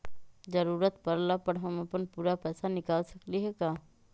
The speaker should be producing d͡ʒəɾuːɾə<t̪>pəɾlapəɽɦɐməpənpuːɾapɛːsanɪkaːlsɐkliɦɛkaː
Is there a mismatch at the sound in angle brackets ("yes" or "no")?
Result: no